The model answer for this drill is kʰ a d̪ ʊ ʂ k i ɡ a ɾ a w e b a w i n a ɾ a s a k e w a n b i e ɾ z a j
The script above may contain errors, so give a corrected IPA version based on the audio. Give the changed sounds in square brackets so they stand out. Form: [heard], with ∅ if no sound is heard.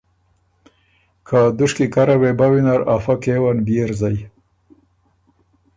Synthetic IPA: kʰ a d̪ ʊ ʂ k i [k] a ɾ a w e b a w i n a ɾ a [f] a k e w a n b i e ɾ z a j